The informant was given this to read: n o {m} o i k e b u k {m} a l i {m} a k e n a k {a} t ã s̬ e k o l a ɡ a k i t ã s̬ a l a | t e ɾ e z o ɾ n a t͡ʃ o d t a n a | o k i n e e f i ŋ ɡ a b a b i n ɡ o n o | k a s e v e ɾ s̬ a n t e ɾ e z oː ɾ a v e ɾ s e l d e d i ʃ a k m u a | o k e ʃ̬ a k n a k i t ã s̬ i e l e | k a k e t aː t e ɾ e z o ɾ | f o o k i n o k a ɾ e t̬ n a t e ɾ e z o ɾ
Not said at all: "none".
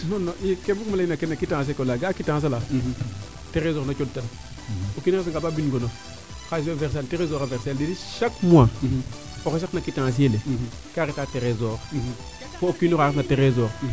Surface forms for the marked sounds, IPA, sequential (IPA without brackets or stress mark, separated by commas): n, m, n, i